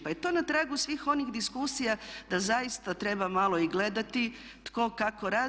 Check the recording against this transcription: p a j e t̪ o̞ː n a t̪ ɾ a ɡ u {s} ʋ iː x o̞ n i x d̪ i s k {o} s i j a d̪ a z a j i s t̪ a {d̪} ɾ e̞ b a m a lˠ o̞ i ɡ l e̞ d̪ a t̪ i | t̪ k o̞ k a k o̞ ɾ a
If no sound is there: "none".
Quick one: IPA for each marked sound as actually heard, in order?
s, u, t̪

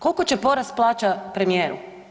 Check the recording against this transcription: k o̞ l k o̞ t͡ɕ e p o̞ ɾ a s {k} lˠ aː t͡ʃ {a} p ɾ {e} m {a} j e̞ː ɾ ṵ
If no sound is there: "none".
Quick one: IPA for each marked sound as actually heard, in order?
p, a, e, i

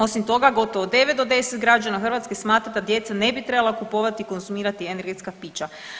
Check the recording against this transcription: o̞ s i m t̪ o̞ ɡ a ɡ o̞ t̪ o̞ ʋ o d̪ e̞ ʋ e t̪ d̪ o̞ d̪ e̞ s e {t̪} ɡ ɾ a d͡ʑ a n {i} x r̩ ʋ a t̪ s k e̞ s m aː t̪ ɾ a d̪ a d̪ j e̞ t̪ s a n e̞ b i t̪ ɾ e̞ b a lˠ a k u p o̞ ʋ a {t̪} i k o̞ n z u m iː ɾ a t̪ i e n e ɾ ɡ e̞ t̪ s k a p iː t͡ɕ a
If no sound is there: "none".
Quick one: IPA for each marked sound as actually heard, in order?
t̪, a, t̪

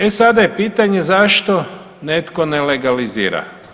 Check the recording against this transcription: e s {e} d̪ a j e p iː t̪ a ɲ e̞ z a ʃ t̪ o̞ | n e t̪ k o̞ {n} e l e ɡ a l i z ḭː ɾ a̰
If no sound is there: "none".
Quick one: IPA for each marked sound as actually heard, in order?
a, n

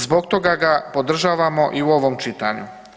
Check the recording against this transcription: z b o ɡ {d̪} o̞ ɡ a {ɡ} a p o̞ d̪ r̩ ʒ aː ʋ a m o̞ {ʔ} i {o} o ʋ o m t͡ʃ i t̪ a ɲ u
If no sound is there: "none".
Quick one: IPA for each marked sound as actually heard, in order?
t̪, ɡ, ʔ, u

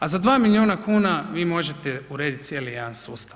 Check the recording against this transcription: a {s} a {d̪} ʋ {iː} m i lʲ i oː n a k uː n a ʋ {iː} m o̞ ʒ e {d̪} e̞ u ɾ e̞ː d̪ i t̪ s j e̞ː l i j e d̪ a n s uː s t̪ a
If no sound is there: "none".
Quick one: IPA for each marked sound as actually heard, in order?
z, d̪, aː, iː, t̪

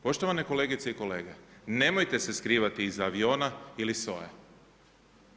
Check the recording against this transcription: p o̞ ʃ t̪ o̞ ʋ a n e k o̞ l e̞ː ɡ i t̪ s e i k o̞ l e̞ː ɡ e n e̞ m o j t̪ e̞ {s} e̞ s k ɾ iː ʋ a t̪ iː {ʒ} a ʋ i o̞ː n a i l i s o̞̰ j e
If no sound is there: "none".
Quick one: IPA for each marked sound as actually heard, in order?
s, z

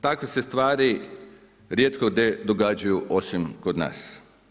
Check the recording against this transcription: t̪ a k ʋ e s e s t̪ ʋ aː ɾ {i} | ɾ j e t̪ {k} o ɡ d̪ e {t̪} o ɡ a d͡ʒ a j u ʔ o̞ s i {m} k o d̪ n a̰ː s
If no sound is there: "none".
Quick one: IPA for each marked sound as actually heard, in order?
i, k, d̪, m

